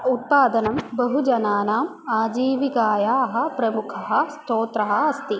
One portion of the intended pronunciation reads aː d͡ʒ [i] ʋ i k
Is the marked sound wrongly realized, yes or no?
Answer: yes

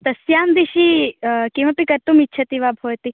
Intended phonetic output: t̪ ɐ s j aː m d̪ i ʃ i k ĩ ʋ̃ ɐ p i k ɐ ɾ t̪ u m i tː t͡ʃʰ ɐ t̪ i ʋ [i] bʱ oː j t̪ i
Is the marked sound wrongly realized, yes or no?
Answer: yes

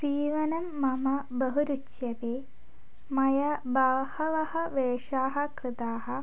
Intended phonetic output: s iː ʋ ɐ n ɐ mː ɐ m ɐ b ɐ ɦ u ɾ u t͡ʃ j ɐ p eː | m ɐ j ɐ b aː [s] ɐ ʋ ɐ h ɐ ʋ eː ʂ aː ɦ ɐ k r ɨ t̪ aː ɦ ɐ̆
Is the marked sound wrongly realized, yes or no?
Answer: yes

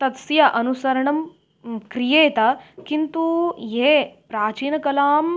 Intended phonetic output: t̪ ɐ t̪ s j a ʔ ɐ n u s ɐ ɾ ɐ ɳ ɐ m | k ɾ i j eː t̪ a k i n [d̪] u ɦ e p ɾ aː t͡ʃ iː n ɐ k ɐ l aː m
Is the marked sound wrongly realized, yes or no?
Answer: yes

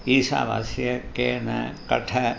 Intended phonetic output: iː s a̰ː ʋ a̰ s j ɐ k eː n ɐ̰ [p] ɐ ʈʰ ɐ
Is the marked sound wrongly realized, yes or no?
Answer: yes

